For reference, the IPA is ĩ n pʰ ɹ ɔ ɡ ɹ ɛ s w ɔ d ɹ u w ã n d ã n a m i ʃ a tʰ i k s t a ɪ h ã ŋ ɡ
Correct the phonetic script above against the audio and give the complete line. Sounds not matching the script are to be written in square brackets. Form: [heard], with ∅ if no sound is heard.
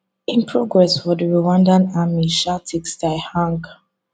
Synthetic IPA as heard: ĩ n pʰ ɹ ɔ ɡ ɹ ɛ s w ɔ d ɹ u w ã n d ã n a m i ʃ a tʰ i k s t a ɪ h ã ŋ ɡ